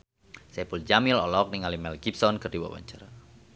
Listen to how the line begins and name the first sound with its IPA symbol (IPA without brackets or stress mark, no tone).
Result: s